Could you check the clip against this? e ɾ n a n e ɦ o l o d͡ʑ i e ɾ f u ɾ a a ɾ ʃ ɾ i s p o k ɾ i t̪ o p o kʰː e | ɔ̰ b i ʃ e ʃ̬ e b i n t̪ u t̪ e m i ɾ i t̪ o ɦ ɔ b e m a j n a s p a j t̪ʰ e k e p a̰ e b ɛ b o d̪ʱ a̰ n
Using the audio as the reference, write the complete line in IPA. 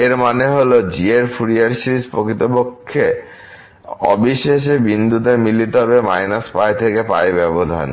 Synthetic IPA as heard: e ɾ m a n e ɦ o l o d͡ʑ i e ɾ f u ɾ i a ɾ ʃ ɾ i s p o k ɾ i t̪ o p o kʰː e | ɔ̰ b i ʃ e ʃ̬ e b i n d̪ u t̪ e m i l i t̪ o ɦ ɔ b e m a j n a s p a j t̪ʰ e k e p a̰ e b ɛ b o d̪ʱ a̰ n